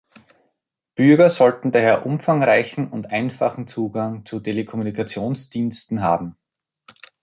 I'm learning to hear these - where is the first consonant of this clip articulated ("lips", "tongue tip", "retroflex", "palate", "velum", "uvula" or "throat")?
lips